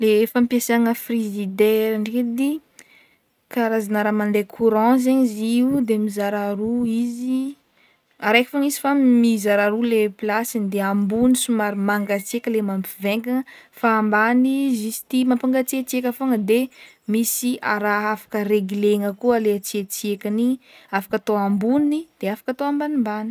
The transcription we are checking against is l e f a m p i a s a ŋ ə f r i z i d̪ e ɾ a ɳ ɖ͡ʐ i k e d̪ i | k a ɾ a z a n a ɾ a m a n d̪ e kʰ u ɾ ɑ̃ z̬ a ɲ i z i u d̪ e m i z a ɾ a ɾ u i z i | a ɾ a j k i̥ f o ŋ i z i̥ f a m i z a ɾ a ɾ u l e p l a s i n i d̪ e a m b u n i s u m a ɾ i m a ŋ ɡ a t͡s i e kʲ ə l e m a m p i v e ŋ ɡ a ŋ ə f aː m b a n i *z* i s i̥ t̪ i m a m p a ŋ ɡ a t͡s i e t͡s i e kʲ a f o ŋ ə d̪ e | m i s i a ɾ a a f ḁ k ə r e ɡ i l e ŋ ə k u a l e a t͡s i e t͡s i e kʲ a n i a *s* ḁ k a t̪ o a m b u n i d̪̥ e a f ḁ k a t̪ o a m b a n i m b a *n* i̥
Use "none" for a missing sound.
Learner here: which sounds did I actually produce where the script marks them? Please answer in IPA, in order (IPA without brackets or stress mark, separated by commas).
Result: z, f, n